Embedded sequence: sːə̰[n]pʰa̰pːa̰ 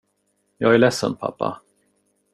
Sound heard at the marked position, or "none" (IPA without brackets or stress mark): n